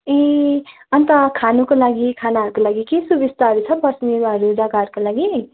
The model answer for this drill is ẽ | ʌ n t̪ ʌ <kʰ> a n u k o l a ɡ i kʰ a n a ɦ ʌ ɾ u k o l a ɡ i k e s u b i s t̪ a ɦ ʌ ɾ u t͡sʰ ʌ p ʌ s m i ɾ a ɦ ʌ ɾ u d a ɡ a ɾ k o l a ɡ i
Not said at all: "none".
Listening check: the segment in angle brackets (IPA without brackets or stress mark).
kʰ